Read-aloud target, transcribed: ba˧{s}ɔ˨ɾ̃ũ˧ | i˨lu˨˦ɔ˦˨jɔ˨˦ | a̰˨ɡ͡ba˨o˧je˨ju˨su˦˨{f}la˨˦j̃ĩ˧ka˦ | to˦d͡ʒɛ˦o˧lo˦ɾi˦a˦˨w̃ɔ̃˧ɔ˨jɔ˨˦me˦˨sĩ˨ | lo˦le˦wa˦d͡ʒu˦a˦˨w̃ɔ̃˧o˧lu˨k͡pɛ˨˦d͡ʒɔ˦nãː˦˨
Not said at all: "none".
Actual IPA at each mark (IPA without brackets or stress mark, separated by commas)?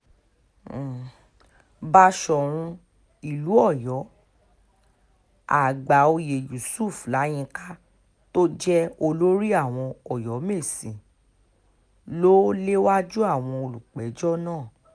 ʃ, f